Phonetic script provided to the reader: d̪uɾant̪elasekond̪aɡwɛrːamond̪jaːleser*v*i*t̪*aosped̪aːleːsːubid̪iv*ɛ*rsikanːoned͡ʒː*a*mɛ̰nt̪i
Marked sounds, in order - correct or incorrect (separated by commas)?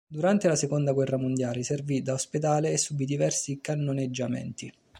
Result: correct, incorrect, correct, correct